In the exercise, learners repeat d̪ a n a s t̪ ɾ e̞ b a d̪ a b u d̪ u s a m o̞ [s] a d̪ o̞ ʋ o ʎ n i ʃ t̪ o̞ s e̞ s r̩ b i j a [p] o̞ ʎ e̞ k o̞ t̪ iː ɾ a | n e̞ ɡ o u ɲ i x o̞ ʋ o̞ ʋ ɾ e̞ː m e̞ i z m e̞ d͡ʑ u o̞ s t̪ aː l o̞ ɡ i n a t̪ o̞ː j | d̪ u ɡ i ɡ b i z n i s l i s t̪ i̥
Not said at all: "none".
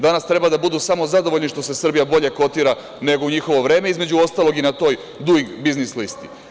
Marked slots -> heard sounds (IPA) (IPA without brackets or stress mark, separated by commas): z, b